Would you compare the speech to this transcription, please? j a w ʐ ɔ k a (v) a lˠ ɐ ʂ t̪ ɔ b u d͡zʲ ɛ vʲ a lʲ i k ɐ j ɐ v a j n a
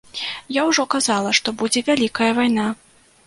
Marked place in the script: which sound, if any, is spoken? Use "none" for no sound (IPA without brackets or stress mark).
z